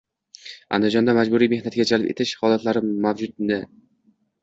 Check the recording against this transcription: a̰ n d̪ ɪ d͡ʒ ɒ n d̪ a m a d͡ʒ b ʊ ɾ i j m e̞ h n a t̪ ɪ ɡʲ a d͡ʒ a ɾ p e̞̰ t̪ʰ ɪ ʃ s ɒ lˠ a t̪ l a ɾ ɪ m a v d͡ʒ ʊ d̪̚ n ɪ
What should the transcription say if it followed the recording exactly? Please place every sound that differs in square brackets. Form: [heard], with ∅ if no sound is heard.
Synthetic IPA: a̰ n d̪ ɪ d͡ʒ ɒ n d̪ a m a d͡ʒ b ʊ ɾ i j m e̞ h n a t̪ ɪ ɡʲ a d͡ʒ a [l] p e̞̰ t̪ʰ ɪ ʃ [h] ɒ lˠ a t̪ l a ɾ ɪ m a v d͡ʒ ʊ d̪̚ n ɪ